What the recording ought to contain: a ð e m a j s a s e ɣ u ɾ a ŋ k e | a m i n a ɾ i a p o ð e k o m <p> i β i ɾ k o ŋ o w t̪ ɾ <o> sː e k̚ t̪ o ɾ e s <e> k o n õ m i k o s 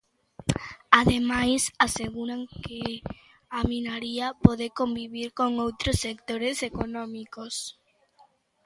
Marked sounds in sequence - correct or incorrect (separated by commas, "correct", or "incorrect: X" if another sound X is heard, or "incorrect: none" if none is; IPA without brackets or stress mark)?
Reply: incorrect: b, correct, correct